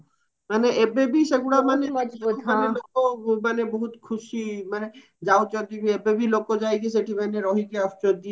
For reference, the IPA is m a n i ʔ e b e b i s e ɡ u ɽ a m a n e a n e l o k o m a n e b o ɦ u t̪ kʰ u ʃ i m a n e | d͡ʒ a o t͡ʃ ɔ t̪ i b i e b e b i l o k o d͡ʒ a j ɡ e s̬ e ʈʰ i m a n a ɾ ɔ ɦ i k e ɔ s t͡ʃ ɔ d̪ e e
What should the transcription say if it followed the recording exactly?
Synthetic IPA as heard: m a n e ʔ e b e b i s e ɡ u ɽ a m a n e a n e l o k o m a n e b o ɦ u t̪ kʰ u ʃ i m a n e | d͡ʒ a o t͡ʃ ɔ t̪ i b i e b e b i l o k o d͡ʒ a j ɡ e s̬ e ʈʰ i m a n e ɾ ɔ ɦ i k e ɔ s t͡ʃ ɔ d̪ i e

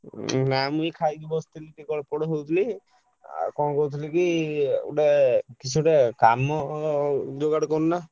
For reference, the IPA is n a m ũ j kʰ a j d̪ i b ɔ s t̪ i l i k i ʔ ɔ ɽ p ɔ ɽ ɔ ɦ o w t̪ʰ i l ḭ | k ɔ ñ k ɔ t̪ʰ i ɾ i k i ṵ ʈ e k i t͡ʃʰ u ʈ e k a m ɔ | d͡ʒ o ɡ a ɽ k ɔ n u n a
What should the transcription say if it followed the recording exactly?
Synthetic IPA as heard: n a m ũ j kʰ a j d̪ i b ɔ s t̪ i l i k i k ɔ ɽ p ɔ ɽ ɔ ɦ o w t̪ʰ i l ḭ | k ɔ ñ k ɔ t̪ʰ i l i k i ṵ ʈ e k i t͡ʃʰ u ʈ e k a m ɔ | d͡ʒ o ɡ a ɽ k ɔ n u n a

